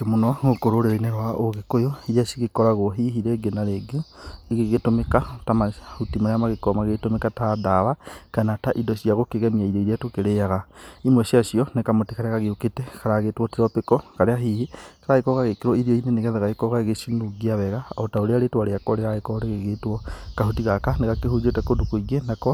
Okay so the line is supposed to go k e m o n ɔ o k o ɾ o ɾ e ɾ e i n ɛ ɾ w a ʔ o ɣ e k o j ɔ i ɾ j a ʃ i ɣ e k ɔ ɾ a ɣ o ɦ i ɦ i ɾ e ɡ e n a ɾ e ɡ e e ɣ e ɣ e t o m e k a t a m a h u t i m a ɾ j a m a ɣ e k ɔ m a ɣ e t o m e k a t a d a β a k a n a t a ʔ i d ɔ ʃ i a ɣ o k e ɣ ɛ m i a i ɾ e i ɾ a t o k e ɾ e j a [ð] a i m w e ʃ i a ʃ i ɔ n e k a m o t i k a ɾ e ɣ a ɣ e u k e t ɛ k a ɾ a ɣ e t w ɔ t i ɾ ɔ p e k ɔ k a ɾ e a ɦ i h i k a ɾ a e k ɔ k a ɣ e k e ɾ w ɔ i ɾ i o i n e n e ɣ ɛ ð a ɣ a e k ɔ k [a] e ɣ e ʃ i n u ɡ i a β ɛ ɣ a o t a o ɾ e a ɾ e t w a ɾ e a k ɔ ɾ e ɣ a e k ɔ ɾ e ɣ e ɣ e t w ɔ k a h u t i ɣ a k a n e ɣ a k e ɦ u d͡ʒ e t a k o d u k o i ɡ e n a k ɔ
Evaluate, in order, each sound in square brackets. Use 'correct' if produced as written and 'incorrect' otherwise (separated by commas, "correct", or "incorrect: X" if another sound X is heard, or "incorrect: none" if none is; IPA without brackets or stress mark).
incorrect: ɣ, correct